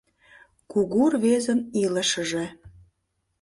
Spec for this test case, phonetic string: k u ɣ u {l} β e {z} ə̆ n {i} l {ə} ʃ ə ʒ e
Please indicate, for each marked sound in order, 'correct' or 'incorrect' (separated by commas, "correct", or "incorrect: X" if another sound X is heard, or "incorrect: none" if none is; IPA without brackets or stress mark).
incorrect: r, correct, correct, correct